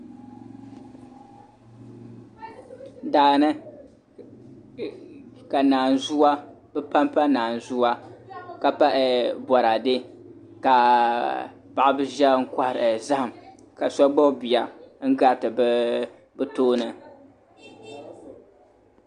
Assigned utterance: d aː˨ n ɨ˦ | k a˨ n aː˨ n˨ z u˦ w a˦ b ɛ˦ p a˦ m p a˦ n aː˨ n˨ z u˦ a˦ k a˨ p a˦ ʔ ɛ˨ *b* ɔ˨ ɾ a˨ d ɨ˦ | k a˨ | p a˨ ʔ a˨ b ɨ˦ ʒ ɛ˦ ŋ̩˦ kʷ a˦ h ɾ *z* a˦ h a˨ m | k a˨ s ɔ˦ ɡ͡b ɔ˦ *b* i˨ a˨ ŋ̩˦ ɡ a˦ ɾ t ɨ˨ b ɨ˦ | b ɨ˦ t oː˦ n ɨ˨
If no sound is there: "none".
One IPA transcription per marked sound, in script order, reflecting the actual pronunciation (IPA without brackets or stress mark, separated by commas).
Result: b, z, b